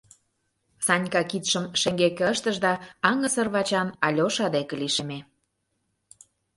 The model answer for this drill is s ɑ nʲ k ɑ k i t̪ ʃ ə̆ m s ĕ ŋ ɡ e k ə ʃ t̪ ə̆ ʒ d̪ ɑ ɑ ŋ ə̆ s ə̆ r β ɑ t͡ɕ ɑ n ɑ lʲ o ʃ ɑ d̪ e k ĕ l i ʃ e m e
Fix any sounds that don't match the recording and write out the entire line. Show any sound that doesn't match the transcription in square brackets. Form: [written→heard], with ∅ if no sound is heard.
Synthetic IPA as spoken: s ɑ nʲ k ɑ k i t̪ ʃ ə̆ m [s→ʃ] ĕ ŋ ɡ e k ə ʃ t̪ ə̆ ʒ d̪ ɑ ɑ ŋ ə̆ s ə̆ r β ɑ t͡ɕ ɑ n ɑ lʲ o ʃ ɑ d̪ e k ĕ l i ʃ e m e